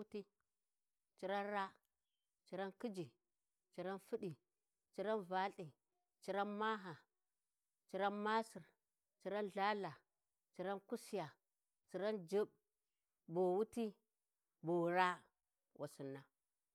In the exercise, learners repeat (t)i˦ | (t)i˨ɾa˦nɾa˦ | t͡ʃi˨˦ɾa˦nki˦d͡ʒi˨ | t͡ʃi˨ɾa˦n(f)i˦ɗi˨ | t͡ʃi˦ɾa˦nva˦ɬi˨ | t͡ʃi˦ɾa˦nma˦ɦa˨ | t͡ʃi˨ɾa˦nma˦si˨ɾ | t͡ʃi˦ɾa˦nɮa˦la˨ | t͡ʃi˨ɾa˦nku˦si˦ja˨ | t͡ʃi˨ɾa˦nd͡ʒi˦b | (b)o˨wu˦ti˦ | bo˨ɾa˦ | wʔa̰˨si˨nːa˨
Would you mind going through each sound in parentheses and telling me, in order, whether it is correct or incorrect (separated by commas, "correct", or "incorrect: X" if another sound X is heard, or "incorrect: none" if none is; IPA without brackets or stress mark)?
correct, incorrect: t͡ʃ, correct, correct